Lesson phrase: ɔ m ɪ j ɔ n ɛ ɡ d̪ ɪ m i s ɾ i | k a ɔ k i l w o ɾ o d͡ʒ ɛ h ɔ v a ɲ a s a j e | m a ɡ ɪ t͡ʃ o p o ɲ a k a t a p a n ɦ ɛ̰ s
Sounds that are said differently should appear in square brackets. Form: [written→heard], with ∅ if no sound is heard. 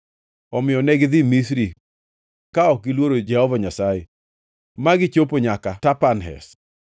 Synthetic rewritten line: ɔ m ɪ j ɔ n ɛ ɡ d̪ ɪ m i s ɾ i | k a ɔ k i l w o ɾ o d͡ʒ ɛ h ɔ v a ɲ a s a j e | m a ɡ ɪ t͡ʃ o p o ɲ a k a t a p a n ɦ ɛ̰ s